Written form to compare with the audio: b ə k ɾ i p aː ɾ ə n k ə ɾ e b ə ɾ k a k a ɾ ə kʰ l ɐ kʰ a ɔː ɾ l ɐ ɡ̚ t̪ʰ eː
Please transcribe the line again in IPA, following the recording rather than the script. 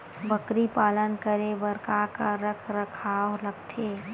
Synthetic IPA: b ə k ɾ i p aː l ə n k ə ɾ e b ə ɾ k a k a ɾ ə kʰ ɾ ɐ kʰ a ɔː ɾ l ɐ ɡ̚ t̪ʰ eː

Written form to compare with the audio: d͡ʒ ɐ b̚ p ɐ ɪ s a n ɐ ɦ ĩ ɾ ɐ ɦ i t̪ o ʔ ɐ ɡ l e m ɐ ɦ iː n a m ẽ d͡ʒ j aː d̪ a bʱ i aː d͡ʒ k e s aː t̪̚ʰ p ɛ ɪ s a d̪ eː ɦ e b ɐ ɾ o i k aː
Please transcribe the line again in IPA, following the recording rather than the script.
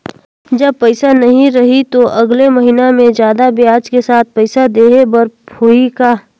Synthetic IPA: d͡ʒ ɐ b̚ p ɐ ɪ s a n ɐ ɦ ĩ ɾ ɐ ɦ i t̪ o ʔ ɐ ɡ l e m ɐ ɦ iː n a m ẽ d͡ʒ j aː d̪ a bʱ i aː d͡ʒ k e s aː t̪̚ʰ p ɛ ɪ s a d̪ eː ɦ e b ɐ ɾ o i k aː

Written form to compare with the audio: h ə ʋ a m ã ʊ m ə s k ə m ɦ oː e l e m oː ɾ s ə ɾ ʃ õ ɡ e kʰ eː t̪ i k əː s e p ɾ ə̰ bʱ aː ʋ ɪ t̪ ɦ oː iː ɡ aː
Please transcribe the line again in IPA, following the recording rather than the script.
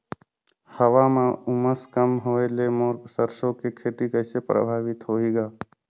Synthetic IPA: h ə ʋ a m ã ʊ m ə s k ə m ɦ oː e l e m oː ɾ s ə ɾ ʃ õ k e kʰ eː t̪ i k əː s e p ɾ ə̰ bʱ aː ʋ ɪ t̪ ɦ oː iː ɡ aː

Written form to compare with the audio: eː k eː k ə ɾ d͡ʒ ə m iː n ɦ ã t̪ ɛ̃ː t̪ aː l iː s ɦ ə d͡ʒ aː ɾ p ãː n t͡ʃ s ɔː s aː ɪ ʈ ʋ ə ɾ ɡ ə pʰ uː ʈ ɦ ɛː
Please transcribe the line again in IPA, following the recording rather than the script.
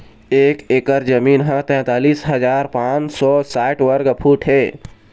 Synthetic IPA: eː k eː k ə ɾ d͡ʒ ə m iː n ɦ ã t̪ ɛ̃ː t̪ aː l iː s ɦ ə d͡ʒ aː ɾ p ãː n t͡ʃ s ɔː s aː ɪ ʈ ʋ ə ɾ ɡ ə pʰ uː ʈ ɦ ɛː

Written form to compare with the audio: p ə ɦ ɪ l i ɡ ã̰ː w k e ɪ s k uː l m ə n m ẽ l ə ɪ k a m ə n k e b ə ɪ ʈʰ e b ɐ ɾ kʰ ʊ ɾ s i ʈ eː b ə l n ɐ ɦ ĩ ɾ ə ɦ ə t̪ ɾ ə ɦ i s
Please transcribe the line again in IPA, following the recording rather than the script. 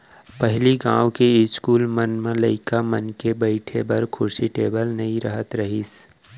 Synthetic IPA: p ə ɦ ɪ l i ɡ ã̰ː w k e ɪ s k uː l m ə n m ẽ l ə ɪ k a m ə n k e b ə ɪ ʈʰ e b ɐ ɾ kʰ ʊ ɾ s i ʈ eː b ə l n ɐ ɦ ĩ ɾ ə ɦ ə t̪ ɾ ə ɦ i s

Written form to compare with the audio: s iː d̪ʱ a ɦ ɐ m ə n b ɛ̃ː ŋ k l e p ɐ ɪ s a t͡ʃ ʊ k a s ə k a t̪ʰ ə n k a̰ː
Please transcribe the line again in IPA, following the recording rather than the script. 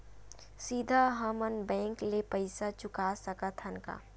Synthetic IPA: s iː d̪ʱ a ɦ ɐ m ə n b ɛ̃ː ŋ k l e p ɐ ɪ s a t͡ʃ ʊ k a s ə k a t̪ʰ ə n k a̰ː

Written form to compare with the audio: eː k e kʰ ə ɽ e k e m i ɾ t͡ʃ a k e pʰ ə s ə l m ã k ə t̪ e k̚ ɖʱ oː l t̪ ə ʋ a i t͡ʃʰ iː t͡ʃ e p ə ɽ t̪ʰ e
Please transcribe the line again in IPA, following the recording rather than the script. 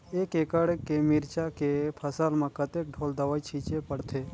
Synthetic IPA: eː k e k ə ɽ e k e m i ɾ t͡ʃ a k e pʰ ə s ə l m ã k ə t̪ e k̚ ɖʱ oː l d̪ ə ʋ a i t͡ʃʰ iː t͡ʃ e p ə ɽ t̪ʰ e

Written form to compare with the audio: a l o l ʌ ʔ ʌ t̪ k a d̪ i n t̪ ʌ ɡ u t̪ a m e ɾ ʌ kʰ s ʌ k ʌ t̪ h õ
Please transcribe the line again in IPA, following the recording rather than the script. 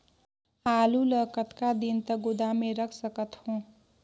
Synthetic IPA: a l u l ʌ k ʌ t̪ k a d̪ i n t̪ ʌ ɡ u d̪ a m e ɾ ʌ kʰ s ʌ k ʌ t̪ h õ

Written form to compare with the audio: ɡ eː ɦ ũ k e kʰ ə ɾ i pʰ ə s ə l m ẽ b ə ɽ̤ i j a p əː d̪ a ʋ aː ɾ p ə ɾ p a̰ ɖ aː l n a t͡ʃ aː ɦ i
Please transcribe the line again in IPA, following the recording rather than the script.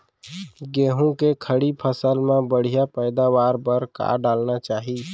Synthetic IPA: ɡ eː ɦ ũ k e kʰ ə ɽ i pʰ ə s ə l m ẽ b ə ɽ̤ i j a p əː d̪ a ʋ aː ɾ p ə ɾ k a̰ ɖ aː l n a t͡ʃ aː ɦ i

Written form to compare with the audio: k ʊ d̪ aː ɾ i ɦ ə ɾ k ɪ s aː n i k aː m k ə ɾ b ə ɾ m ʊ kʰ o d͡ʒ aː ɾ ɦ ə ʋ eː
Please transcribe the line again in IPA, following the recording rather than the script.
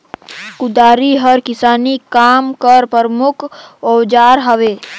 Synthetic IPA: k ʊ d̪ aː ɾ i ɦ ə ɾ k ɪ s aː n i k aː m k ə ɾ p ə ɾ m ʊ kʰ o d͡ʒ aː ɾ ɦ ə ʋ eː

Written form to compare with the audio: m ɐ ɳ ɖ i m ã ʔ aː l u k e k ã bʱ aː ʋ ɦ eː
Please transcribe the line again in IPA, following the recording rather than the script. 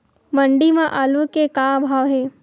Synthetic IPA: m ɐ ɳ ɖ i m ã ʔ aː l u k e k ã bʱ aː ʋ ɦ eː

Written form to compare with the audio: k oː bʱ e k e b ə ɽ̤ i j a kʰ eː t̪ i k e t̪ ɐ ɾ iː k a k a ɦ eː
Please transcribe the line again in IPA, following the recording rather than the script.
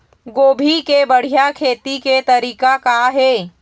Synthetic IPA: ɡ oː bʱ i k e b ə ɽ̤ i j a kʰ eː t̪ i k e t̪ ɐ ɾ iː k a k a ɦ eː

